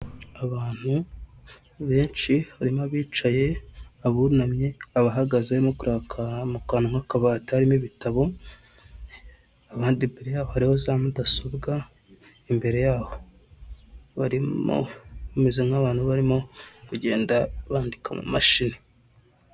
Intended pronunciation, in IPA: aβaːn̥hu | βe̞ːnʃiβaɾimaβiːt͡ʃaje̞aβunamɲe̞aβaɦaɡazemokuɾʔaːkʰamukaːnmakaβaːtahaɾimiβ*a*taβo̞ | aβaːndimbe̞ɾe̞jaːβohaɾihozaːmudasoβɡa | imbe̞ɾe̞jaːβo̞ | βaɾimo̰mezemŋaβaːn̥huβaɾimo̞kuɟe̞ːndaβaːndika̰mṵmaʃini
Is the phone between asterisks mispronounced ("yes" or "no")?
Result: yes